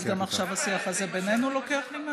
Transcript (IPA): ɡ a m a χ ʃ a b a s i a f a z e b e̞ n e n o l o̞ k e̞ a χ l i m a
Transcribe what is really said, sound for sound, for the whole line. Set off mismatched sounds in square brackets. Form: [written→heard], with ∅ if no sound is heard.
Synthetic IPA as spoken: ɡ a m a χ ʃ a [b→v] a s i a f a z e b e̞ n e n [o→u] l o̞ k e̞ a χ l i m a